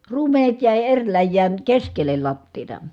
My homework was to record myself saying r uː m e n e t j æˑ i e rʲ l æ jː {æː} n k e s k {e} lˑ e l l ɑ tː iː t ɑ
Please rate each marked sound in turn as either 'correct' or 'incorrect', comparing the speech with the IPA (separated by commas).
correct, correct